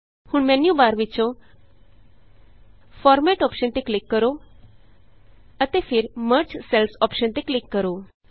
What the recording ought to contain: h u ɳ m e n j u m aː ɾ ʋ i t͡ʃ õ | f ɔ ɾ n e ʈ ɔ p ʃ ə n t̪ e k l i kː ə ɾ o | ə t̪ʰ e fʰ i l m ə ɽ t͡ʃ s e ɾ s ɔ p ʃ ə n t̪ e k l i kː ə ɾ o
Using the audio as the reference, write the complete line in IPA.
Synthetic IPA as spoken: h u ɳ m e n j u b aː ɾ ʋ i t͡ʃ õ | f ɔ ɾ m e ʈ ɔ p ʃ ə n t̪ e k l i kː ə ɾ o | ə t̪ e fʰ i ɾ m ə ɾ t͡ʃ s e l s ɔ p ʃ ə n t̪ e k l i kː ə ɾ o

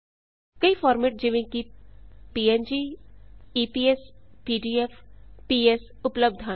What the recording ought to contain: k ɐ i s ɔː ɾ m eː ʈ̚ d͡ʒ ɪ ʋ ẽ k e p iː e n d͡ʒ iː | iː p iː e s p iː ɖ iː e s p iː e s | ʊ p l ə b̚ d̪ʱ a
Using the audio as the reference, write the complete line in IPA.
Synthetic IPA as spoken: k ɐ i f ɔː ɾ m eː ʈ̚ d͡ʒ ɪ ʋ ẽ k i p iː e n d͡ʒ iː | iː p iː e s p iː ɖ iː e f p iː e s | ʊ p l ə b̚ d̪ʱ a

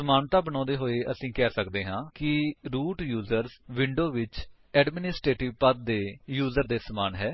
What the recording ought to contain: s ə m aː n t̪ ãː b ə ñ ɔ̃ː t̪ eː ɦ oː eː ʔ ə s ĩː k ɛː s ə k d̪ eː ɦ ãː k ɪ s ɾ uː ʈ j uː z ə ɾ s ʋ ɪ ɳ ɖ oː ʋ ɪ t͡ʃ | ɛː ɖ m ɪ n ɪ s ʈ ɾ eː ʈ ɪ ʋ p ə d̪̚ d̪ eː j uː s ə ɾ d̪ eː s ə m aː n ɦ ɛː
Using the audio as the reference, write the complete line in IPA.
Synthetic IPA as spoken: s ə m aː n t̪ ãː b ə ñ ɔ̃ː d̪ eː ɦ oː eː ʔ ə s ĩː k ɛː s ə k d̪ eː ɦ ãː k ɪ ɾ uː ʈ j uː z ə ɾ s ʋ ɪ ɳ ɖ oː ʋ ɪ t͡ʃ | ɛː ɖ m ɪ n ɪ s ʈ ɾ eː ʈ ɪ ʋ p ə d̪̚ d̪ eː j uː z ə ɾ d̪ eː s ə m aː n ɦ ɛː

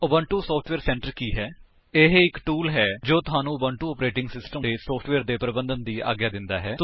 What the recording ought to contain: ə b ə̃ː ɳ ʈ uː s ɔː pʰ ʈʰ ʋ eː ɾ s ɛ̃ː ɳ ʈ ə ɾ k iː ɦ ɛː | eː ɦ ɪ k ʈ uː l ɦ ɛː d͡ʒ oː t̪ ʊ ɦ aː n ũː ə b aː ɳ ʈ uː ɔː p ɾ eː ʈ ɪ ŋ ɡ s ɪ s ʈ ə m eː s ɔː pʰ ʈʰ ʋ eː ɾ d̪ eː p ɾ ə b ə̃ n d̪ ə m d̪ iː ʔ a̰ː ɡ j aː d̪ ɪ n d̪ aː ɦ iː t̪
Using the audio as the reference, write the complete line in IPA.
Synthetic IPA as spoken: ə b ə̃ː ɳ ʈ uː s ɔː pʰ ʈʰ ʋ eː ɾ s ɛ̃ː ɳ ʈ ə ɾ k iː ɦ ɛː | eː ɦ ɪ k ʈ uː l ɦ ɛː d͡ʒ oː t̪ ʊ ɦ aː n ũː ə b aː ɳ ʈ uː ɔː p ɾ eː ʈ ɪ ŋ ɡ s ɪ s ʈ ə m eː s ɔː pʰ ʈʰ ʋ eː ɾ d̪ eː p ɾ ə b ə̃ n d̪ ə n d̪ iː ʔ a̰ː ɡ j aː d̪ ɪ n d̪ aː ɦ ɛː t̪

